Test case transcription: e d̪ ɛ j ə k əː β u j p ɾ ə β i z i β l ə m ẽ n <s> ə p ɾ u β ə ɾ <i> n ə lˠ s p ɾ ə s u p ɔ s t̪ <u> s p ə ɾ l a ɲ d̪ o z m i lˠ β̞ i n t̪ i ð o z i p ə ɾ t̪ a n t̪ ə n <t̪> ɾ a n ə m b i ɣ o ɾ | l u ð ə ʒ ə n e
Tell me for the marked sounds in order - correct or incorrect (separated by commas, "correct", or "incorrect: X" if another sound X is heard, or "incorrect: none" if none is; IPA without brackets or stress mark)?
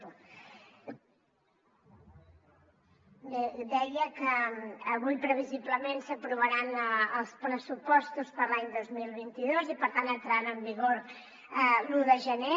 correct, incorrect: a, correct, correct